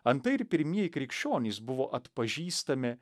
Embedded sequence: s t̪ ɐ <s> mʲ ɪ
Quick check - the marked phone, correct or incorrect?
incorrect